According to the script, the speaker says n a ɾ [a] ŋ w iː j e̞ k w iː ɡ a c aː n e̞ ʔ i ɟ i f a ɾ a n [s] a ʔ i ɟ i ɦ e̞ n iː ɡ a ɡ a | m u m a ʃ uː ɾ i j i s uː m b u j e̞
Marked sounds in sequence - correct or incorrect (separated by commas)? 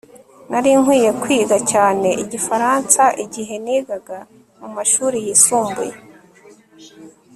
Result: incorrect, correct